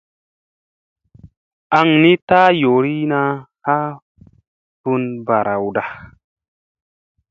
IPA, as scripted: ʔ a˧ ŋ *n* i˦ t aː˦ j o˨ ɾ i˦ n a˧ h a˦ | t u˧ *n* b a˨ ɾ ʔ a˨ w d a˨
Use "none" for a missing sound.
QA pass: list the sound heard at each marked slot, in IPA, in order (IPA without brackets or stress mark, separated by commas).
n, n